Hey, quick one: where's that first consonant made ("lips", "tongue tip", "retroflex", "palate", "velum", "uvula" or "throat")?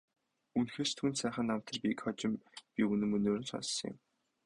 tongue tip